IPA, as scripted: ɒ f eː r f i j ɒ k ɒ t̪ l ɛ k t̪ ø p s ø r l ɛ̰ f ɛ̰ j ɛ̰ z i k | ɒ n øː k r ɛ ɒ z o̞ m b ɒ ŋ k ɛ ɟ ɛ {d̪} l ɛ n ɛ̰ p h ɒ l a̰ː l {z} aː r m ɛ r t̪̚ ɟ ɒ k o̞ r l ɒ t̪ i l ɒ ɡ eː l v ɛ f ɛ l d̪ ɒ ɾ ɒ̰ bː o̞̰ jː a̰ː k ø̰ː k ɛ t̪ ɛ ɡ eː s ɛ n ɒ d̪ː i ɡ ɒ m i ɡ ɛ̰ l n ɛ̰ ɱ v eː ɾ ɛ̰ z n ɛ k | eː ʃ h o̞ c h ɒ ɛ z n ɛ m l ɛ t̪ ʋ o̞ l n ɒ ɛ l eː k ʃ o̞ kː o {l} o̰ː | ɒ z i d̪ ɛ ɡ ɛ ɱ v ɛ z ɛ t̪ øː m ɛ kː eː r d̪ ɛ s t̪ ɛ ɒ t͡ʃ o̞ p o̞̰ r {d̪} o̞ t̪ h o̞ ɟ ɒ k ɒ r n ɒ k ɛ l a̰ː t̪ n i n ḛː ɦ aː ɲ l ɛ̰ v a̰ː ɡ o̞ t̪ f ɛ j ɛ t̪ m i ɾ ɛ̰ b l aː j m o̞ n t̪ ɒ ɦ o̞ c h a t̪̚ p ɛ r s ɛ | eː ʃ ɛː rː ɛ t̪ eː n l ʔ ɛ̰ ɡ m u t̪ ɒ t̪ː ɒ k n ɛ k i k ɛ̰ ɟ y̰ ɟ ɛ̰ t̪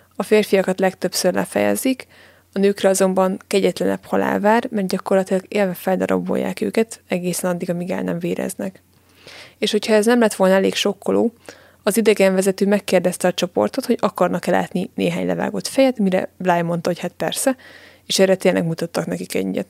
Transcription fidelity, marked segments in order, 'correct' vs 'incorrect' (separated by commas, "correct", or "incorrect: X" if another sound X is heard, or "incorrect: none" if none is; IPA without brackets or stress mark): incorrect: t̪, incorrect: v, correct, incorrect: t̪